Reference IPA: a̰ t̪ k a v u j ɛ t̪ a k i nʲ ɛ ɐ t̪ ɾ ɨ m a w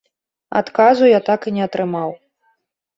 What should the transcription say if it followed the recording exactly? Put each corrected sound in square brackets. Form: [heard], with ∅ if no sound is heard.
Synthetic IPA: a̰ t̪ k a [z] u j [a] t̪ a k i nʲ ɛ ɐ t̪ ɾ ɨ m a w